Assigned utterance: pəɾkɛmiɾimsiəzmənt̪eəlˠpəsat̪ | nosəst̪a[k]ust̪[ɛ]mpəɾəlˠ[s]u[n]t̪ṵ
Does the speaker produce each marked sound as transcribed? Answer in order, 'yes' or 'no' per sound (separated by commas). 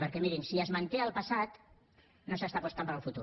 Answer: no, no, no, no